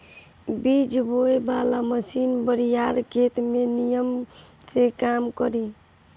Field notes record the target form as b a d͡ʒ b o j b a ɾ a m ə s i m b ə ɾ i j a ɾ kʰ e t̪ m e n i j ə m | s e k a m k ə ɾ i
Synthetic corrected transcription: b i d͡ʒ b o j b a l a m ə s i n b ə ɾ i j a ɾ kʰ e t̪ m e n i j ə m | s e k a m k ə ɾ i